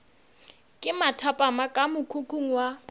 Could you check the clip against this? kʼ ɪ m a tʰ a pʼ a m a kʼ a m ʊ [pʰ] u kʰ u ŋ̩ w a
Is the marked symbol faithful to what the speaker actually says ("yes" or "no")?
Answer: no